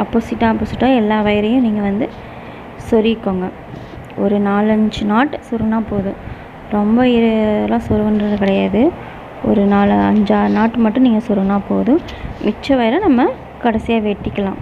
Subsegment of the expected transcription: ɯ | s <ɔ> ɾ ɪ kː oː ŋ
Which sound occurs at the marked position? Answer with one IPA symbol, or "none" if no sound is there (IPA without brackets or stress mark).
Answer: ɔ